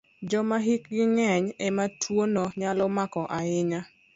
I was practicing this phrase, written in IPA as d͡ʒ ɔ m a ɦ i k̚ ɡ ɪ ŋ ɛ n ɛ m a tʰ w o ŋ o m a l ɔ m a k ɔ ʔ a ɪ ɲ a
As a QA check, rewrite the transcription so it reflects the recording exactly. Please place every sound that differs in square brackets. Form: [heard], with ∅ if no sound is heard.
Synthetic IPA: d͡ʒ ɔ m a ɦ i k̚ ɡ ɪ ŋ ɛ [ɲ] ɛ m a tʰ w o [n] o [ɲ] a l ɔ m a k ɔ ʔ a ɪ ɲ a